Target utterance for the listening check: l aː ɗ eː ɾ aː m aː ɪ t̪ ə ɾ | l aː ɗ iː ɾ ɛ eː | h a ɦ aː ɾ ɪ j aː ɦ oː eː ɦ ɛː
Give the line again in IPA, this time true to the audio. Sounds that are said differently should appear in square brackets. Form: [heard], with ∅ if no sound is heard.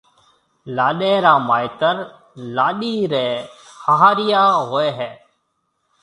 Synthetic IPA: l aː ɗ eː ɾ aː m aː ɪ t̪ ə ɾ | l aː ɗ iː ɾ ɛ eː | h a ɦ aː ɾ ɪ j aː ɦ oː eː ɦ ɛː